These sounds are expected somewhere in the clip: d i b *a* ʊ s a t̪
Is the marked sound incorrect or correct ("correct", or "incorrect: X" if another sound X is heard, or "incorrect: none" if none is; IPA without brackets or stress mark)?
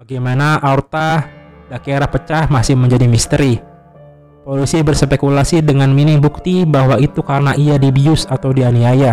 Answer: incorrect: i